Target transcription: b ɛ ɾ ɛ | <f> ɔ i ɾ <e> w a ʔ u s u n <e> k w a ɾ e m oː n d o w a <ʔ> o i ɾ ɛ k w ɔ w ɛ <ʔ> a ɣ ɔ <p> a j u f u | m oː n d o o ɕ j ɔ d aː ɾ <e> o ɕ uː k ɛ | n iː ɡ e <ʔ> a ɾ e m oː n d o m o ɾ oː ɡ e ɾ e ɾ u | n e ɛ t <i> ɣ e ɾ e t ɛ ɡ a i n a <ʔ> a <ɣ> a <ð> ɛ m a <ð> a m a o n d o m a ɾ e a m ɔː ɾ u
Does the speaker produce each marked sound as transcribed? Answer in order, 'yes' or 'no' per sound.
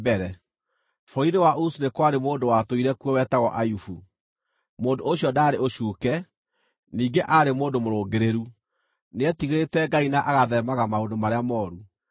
yes, yes, yes, no, no, no, yes, yes, yes, yes, yes, yes, no

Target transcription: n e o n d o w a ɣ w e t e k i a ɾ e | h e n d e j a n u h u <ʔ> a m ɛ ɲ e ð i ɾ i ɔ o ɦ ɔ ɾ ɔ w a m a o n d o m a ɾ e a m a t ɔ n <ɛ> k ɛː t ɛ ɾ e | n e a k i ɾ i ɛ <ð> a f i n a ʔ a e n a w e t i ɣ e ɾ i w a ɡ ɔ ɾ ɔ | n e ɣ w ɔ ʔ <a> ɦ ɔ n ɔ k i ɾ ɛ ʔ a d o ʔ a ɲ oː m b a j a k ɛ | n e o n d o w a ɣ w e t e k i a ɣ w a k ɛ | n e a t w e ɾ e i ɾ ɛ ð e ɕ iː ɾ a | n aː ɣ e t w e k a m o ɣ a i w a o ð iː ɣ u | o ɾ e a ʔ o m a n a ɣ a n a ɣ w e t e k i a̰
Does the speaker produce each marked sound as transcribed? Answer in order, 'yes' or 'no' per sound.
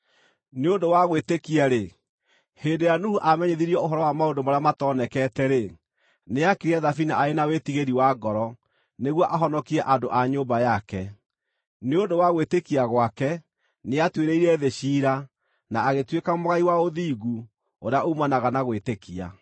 yes, yes, yes, yes

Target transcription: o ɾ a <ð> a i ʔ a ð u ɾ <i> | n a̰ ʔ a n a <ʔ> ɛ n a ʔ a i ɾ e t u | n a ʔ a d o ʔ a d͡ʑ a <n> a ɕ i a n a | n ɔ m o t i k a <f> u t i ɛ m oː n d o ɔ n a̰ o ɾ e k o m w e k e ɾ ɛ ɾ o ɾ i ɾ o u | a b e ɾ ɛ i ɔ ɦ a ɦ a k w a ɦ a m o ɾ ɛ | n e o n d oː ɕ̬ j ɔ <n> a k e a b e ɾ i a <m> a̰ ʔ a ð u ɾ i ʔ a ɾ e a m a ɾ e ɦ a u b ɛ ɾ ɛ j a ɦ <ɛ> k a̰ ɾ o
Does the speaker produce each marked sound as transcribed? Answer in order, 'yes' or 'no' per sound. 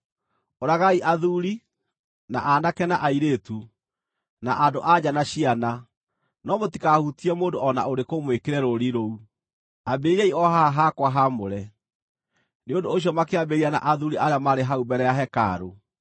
no, yes, no, yes, no, no, no, yes

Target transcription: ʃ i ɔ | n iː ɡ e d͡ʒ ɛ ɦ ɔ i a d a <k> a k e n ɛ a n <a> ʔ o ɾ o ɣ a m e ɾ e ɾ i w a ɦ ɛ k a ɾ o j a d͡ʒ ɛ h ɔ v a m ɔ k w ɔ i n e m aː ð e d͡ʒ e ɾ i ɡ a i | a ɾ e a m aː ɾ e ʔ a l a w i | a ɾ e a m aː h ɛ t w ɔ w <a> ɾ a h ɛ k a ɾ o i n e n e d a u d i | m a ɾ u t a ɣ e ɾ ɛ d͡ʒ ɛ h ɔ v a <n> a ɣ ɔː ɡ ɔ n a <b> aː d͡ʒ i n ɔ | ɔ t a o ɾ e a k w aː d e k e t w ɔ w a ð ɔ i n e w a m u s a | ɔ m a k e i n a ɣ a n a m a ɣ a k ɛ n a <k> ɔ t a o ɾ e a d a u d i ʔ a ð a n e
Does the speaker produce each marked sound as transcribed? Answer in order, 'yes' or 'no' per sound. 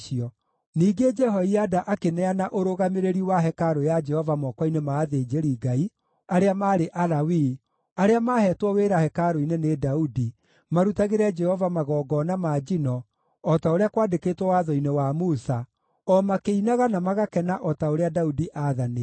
no, yes, no, no, no, no

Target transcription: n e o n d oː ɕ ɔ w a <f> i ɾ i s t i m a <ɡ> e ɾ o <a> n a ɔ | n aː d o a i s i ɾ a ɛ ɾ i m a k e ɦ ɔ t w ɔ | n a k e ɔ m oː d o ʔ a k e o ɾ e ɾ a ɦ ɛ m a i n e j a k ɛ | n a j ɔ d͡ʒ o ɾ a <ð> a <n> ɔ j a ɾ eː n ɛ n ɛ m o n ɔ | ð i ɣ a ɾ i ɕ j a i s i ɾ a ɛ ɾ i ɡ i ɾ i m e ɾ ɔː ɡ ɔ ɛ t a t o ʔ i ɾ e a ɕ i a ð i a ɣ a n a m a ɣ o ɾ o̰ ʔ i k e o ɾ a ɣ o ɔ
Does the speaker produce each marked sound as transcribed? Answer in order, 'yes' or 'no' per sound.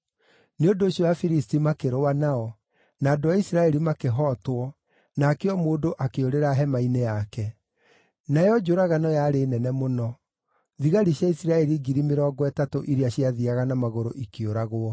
yes, no, yes, no, yes

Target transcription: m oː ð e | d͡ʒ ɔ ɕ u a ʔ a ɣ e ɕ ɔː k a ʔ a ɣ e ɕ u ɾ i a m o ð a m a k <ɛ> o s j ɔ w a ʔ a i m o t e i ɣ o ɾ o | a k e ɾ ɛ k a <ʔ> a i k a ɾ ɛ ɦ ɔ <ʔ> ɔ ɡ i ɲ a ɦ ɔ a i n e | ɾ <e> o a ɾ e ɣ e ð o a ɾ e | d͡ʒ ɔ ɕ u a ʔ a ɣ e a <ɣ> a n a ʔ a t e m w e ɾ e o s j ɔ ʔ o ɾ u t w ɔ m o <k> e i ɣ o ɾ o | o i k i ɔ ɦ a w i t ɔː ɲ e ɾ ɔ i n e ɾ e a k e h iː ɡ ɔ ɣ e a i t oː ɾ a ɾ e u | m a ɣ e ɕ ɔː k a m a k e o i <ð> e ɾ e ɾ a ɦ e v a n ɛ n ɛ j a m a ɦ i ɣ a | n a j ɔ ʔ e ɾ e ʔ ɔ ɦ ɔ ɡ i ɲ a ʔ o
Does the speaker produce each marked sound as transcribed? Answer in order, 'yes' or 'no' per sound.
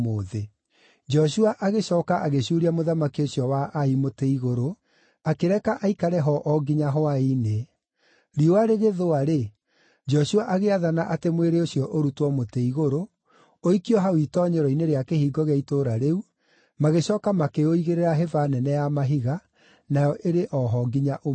no, yes, yes, no, no, no, no

